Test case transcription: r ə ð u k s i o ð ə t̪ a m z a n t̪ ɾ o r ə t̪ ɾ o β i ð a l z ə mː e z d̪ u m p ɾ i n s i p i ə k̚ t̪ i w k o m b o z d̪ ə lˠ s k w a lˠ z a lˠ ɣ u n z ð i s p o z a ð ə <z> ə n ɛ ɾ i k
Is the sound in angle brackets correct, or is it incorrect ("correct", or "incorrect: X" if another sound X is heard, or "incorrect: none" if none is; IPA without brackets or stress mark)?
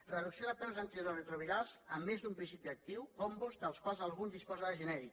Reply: incorrect: ʒ